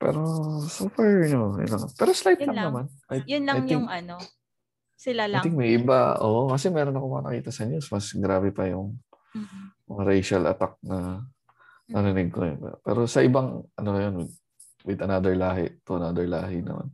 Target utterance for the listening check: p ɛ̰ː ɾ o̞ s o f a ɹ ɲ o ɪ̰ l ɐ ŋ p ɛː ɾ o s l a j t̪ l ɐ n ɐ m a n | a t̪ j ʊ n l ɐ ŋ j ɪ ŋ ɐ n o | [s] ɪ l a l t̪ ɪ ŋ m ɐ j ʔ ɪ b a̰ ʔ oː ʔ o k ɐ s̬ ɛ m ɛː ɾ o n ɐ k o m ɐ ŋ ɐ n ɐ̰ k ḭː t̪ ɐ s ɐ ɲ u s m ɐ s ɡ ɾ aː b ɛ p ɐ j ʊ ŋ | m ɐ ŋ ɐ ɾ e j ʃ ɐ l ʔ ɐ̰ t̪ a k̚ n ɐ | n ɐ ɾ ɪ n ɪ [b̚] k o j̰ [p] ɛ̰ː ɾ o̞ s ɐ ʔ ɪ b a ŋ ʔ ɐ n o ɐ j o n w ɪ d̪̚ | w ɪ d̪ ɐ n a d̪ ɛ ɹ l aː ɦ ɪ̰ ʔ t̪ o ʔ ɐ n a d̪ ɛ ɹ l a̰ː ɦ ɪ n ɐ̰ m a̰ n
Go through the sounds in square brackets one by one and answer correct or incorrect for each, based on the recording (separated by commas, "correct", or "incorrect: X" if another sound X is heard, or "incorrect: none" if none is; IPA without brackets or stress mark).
correct, incorrect: ɡ̚, correct